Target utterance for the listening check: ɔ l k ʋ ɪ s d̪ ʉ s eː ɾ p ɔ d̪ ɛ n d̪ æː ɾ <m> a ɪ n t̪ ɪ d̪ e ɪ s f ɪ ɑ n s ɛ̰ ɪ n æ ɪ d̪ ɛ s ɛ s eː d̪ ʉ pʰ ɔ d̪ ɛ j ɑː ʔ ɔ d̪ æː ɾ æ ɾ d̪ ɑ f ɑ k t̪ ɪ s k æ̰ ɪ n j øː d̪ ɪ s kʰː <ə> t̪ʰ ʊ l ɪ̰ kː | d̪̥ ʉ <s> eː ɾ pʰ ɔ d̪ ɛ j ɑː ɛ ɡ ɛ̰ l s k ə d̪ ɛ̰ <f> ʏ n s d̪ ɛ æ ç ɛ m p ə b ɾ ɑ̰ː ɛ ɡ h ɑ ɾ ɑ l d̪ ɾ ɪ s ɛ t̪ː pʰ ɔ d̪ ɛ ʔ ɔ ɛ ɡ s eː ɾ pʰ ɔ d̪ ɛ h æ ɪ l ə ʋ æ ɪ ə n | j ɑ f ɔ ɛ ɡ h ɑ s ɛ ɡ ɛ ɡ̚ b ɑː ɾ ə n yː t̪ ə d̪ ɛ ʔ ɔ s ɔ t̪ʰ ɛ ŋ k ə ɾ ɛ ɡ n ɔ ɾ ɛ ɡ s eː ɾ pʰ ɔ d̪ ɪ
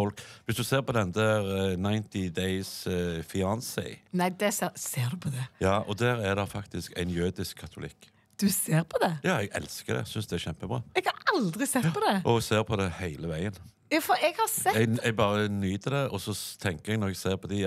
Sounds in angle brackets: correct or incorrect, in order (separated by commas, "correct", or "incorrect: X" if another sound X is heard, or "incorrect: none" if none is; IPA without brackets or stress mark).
incorrect: n, incorrect: ɑ, correct, incorrect: s